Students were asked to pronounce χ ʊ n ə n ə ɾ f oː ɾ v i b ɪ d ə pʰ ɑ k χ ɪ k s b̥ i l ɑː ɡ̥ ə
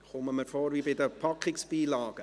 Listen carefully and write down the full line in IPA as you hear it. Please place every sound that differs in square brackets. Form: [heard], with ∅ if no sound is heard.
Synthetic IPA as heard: χ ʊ [m] ə [m] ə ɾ f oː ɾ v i b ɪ d ə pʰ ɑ k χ ɪ k s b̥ [iː] l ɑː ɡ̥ ə